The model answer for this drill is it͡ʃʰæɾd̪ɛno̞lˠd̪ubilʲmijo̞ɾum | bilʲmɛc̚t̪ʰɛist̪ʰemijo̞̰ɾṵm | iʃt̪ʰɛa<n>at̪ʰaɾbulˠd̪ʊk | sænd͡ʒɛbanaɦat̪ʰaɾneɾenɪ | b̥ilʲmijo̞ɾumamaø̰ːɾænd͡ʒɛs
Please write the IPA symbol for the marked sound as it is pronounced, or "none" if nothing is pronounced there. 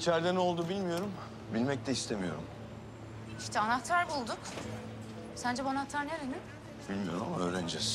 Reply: n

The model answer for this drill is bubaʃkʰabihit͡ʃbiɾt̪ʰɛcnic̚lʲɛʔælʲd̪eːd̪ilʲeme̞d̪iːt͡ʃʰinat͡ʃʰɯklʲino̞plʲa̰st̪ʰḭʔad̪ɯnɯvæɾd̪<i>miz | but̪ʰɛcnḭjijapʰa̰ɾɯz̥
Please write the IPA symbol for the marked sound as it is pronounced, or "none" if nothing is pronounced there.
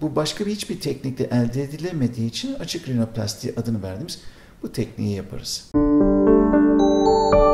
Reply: i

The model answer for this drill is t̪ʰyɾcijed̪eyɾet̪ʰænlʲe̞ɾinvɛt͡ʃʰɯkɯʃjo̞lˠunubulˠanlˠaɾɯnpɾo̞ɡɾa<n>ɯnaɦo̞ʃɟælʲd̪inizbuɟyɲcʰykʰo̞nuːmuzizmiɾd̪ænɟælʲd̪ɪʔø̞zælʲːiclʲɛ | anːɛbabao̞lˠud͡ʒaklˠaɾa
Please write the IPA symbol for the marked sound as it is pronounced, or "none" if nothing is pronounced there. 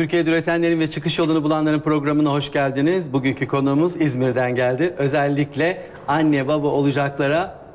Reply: m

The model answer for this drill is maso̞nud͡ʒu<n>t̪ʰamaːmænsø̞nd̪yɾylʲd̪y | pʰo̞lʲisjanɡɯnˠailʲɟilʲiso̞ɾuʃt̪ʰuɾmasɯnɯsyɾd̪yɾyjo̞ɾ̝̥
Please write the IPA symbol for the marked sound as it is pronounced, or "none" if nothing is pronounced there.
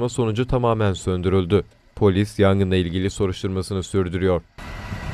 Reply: none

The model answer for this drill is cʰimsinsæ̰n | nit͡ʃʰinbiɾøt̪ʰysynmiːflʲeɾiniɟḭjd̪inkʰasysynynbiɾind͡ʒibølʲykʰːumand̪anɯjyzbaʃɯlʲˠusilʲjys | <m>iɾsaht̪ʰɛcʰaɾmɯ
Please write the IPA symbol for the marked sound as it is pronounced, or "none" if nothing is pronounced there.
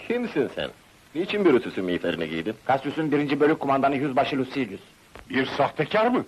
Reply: b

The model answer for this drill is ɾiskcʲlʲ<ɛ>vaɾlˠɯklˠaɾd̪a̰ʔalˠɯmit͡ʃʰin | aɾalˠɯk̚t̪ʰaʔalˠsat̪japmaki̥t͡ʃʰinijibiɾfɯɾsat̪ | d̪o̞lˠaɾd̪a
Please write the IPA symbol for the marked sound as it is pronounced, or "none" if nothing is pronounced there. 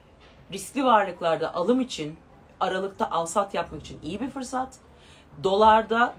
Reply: i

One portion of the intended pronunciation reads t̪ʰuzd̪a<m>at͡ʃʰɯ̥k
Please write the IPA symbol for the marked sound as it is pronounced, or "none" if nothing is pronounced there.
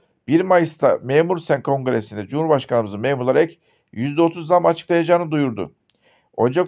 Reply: m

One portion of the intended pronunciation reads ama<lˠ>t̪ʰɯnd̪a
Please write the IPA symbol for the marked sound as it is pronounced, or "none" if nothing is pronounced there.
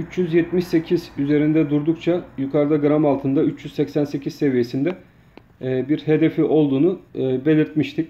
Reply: lˠ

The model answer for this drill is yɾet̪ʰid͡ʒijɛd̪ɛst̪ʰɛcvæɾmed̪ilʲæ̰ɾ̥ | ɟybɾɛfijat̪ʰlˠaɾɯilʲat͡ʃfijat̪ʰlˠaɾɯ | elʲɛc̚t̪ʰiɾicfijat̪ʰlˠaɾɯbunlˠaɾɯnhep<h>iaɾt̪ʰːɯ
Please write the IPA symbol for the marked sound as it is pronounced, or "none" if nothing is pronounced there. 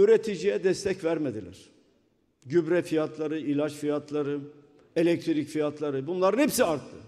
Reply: s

